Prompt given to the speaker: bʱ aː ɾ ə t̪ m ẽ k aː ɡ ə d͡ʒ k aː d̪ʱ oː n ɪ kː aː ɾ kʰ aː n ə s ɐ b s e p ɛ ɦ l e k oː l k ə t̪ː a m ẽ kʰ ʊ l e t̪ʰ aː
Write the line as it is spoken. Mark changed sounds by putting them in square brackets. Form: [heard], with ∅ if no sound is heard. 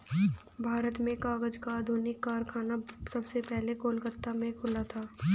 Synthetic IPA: bʱ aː ɾ ə t̪ m ẽ k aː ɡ ə d͡ʒ k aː d̪ʱ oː n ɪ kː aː ɾ kʰ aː n [a] s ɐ b s e p ɛ ɦ l e k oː l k ə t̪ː a m ẽ kʰ ʊ l [a] t̪ʰ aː